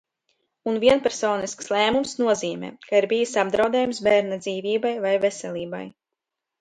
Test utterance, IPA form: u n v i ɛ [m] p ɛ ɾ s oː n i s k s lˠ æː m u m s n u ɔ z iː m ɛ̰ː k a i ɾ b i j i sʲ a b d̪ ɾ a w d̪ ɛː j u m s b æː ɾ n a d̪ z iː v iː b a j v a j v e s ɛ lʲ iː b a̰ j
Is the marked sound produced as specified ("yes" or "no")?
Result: no